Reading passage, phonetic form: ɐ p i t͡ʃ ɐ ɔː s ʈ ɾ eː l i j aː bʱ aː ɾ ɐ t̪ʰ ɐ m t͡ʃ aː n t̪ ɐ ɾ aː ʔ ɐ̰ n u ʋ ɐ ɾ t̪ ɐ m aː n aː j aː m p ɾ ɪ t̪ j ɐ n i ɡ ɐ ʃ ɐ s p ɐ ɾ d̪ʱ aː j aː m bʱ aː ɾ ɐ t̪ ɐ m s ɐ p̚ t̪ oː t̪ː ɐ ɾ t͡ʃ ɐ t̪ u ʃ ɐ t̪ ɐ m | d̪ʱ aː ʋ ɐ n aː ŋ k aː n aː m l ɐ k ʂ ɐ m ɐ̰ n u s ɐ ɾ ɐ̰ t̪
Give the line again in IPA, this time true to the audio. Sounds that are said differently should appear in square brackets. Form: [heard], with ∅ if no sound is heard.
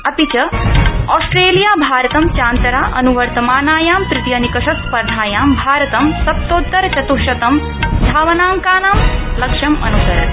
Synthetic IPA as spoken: ɐ p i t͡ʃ ɐ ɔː s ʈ ɾ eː l i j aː bʱ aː ɾ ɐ [t̪] ɐ m t͡ʃ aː n t̪ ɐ ɾ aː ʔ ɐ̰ n u ʋ ɐ ɾ t̪ ɐ m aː n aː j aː m p ɾ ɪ t̪ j ɐ n i [k] ɐ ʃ ɐ s p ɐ ɾ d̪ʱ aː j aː m bʱ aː ɾ ɐ t̪ ɐ m s ɐ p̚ t̪ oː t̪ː ɐ ɾ t͡ʃ ɐ t̪ u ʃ ɐ t̪ ɐ m | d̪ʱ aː ʋ ɐ n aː ŋ k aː n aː m l ɐ k ʂ ɐ m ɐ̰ n u s ɐ ɾ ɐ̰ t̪